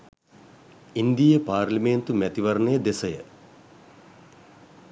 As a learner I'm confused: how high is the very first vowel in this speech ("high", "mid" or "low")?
high